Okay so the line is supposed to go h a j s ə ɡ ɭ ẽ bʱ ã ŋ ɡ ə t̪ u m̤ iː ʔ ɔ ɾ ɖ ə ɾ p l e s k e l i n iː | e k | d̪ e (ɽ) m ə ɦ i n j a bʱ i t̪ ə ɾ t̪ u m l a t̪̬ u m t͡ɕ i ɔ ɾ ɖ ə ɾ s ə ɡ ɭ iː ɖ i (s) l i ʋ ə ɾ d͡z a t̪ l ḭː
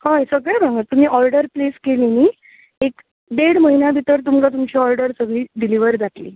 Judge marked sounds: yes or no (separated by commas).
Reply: yes, no